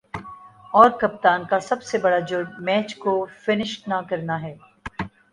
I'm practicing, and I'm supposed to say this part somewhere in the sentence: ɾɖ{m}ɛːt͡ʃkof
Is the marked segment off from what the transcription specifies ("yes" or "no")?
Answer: no